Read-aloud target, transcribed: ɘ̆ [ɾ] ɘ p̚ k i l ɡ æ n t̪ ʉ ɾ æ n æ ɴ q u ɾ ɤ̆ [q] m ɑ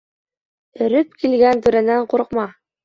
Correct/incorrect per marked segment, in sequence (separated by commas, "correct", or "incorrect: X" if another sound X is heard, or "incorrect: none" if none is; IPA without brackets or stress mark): correct, correct